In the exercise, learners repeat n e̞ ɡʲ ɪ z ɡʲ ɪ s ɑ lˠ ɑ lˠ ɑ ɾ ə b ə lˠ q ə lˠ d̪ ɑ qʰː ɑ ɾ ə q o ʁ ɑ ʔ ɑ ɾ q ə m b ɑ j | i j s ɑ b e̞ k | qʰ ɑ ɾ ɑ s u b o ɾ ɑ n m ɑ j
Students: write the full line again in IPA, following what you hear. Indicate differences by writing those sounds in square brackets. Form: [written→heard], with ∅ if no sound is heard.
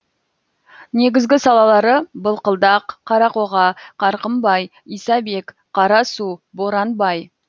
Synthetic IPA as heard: n e̞ ɡʲ ɪ z ɡʲ ɪ s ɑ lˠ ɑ lˠ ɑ ɾ ə b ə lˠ q ə lˠ d̪ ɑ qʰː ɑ ɾ [ə→ɑ] q o ʁ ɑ [ʔ→q] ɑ ɾ q ə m b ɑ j | i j s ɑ b e̞ k | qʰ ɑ ɾ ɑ s u b o ɾ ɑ n [m→b] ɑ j